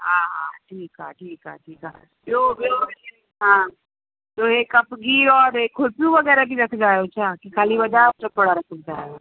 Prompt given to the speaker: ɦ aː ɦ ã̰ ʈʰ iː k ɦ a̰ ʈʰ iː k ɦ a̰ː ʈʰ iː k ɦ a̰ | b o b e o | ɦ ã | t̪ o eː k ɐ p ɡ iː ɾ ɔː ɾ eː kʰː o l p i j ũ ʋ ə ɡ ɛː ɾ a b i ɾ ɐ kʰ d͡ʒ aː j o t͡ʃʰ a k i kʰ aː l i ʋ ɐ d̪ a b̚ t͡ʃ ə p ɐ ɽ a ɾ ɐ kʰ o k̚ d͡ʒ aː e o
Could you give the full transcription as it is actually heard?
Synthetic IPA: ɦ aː ɦ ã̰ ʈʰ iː k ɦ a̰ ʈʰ iː k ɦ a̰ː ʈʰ iː k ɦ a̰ | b o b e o | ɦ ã | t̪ o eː k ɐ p ɡ iː ɾ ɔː ɾ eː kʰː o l p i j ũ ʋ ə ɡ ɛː ɾ a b i ɾ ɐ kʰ d͡ʒ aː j o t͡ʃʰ a k i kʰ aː l i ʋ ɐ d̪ a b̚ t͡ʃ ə p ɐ ɽ a ɾ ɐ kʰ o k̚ d͡ʒ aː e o

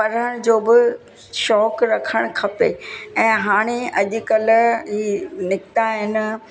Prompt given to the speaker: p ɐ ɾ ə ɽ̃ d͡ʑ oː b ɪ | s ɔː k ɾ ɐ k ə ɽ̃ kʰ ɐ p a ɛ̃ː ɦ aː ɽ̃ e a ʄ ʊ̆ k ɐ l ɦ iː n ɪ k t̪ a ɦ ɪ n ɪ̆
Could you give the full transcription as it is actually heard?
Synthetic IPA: p ɐ ɾ ə ɽ̃ d͡ʑ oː b ɪ | ʃ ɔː k ɾ ɐ kʰ ə ɽ̃ kʰ ɐ p e ɛ̃ː ɦ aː ɽ̃ e ɐ ʄ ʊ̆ k ɐ l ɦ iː n ɪ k t̪ a ɦ ɪ n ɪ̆

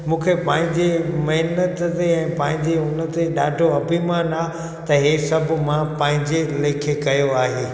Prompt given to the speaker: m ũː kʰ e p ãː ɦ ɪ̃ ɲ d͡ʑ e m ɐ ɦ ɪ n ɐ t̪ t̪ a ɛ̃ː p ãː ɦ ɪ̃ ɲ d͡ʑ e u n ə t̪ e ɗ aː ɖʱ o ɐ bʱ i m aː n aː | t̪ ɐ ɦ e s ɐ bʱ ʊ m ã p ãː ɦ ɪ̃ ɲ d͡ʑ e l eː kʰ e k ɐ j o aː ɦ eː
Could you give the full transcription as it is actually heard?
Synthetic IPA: m ũː kʰ e p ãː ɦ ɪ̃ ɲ d͡ʑ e m ɐ ɦ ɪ n ə t̪ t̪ e ɛ̃ː p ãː ɦ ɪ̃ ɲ d͡ʑ e ʊ n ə t̪ e ɗ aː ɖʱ o ɐ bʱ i m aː n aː | t̪ ɐ ɦ e s ɐ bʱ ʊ m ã p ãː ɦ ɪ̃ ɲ d͡ʑ e l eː kʰ e k ɐ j o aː ɦ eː

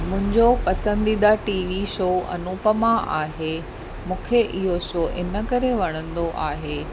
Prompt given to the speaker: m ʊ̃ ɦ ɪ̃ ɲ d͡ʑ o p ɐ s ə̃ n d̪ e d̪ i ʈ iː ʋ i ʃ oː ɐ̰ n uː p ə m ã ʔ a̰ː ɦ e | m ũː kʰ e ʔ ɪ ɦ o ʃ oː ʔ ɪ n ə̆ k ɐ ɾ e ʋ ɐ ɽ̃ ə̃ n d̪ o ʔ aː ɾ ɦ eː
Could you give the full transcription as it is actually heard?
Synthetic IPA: m ʊ̃ ɦ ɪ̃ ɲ d͡ʑ o p ɐ s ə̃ n d̪ i d̪ a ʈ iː ʋ i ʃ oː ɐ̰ n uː p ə m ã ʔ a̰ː ɦ e | m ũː kʰ e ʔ ɪ ɦ o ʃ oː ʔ ɪ n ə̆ k ɐ ɾ e ʋ ɐ ɽ̃ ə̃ n d̪ o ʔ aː ɦ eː

